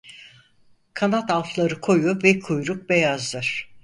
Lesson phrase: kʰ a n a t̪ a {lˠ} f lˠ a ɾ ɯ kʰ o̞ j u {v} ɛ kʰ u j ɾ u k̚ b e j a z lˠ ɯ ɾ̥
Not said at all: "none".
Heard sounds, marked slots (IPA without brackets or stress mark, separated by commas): lˠ, v